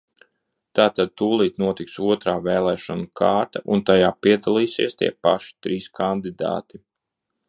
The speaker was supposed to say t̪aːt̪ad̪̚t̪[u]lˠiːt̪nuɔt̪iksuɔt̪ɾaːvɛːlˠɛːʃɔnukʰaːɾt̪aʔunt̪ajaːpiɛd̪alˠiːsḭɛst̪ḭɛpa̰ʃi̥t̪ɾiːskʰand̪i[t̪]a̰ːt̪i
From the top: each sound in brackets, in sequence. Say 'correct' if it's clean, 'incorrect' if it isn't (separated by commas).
incorrect, incorrect